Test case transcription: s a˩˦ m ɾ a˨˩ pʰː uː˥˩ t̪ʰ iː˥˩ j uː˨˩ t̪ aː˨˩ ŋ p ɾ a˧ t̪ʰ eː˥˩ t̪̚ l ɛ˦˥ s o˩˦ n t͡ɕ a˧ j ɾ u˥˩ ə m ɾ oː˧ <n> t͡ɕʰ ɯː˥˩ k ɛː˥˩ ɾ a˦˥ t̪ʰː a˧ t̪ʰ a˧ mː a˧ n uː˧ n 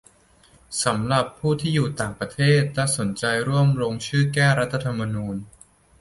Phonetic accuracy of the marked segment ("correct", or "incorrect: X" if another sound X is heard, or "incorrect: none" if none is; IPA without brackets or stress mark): incorrect: ŋ